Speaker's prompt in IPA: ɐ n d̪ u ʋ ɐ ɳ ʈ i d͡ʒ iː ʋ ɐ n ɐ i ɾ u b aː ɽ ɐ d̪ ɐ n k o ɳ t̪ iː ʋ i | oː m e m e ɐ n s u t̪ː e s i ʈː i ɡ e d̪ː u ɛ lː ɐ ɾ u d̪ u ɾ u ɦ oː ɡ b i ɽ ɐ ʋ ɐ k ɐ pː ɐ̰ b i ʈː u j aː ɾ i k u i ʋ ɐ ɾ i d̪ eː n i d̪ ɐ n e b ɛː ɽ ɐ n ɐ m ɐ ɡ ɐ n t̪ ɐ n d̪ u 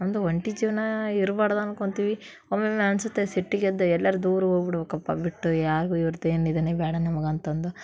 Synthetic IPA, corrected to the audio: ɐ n d̪ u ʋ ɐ ɳ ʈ i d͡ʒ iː ʋ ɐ n ɐ i ɾ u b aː ɽ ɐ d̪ ɐ n k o ɳ t̪ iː ʋ i | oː m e m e ɐ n s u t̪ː e s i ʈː i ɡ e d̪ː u ɛ lː ɐ ɾ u d̪ uː ɾ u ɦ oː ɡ b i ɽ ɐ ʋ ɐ k ɐ pː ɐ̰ b i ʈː u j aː ɾ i ɡ u i ʋ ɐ ɾ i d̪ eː n i d̪ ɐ n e b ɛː ɽ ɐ n ɐ m ɐ ɡ ɐ n t̪ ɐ n d̪ u